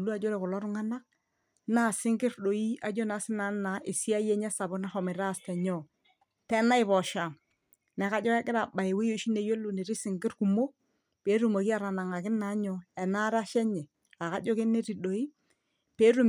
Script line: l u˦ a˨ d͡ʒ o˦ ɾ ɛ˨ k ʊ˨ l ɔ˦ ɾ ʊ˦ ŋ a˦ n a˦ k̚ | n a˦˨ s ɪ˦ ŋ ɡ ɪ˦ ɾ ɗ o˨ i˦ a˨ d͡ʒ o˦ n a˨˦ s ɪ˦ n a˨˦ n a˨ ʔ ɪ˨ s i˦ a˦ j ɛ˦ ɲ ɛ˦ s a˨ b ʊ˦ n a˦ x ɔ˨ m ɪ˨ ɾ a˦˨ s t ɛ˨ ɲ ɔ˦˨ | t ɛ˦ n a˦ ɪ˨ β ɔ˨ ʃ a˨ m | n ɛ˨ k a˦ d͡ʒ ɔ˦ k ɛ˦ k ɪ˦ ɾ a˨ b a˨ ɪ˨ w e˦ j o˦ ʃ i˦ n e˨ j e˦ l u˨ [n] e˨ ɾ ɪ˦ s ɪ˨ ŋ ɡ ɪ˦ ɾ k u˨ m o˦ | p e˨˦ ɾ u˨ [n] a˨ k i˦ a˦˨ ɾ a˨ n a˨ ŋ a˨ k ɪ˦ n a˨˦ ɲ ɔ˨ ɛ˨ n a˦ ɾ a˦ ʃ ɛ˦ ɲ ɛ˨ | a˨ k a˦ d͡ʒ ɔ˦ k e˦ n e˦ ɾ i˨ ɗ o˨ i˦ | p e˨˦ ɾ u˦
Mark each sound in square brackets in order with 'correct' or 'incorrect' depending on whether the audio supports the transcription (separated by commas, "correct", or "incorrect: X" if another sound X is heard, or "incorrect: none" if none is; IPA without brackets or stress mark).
correct, incorrect: m